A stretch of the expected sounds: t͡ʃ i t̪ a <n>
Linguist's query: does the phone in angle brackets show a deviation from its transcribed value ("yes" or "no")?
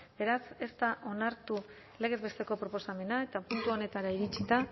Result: yes